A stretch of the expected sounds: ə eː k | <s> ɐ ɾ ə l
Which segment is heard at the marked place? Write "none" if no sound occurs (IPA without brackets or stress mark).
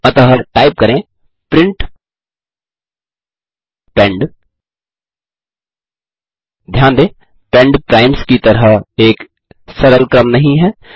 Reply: s